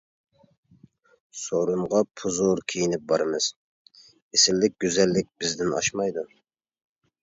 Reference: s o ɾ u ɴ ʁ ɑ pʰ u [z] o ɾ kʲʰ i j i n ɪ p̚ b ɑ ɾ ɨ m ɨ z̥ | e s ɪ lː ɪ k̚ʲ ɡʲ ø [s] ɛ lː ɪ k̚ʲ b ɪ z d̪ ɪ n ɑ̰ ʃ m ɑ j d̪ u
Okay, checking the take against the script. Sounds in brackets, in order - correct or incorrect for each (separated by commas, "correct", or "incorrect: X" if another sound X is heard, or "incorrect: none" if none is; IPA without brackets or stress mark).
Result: correct, incorrect: z